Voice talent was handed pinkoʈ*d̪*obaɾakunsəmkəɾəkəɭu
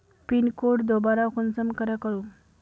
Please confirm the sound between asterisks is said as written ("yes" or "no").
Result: yes